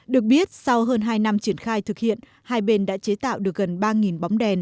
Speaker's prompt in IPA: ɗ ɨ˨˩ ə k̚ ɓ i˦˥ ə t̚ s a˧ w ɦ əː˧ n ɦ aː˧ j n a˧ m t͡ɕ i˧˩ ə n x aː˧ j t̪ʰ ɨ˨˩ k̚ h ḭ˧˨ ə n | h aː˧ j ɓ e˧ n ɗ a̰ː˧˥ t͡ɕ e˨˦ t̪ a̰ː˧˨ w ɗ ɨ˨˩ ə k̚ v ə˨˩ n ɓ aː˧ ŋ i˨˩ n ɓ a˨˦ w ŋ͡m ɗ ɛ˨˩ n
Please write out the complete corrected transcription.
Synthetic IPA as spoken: ɗ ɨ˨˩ ə k̚ ɓ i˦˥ ə t̚ s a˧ w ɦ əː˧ n ɦ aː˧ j n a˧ m t͡ɕ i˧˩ ə n x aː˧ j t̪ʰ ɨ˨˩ k̚ h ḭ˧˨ ə n | h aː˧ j ɓ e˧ n ɗ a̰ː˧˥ t͡ɕ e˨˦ t̪ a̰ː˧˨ w ɗ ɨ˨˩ ə k̚ ɣ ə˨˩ n ɓ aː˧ ŋ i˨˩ n ɓ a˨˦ w ŋ͡m ɗ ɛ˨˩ n

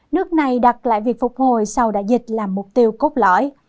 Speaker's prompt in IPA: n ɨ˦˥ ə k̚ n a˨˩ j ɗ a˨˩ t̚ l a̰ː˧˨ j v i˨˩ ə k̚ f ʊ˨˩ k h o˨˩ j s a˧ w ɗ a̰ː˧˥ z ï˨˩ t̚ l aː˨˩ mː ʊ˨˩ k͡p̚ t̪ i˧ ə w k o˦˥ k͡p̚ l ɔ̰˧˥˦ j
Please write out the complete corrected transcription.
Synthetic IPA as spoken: n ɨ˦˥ ə k̚ n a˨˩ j ɗ a˨˩ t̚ l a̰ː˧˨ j v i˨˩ ə k̚ f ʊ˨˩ k͡p̚ h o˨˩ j s a˧ w ɗ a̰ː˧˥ z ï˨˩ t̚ l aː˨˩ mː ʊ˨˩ k͡p̚ t̪ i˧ ə w k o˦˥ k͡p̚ l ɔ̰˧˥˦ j

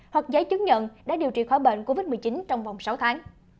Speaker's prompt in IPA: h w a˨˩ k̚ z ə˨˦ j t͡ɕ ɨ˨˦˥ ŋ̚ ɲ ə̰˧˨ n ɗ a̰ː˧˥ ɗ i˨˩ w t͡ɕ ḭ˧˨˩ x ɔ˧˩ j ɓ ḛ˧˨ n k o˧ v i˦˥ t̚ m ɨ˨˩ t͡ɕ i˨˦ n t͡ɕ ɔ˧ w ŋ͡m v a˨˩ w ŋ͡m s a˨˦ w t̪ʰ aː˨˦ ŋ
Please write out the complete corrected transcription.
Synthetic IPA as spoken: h w a˨˩ k̚ z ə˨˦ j t͡ɕ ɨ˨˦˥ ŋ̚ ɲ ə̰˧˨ n ɗ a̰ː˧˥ ɗ i˨˩ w t͡ɕ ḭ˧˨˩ x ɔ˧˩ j ɓ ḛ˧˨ n k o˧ v i˦˥ t̚ m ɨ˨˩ t͡ɕ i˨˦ n t͡ɕ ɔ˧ w ŋ͡m v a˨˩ w ŋ͡m s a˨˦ w t̪ʰ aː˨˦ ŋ

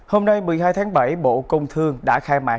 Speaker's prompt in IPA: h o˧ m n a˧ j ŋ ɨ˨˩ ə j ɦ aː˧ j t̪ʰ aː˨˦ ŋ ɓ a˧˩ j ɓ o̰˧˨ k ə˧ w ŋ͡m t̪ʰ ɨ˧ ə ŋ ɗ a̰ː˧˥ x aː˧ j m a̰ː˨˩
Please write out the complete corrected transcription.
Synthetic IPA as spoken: h o˧ m n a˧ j m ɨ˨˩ ə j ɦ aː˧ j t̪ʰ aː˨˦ ŋ ɓ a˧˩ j ɓ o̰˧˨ k ə˧ w ŋ͡m t̪ʰ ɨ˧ ə ŋ ɗ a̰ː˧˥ x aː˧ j m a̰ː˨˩

